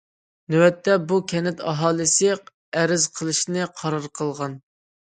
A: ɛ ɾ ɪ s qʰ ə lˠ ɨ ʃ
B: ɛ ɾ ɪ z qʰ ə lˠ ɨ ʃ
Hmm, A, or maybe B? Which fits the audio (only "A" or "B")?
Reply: B